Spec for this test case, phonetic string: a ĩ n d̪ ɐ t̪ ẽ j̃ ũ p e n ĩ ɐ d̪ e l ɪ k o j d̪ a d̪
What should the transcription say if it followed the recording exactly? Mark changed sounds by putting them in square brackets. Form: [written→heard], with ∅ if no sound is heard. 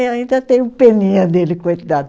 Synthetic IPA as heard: a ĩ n d̪ ɐ t̪ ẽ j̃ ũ p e n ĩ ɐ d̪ e l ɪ k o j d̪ a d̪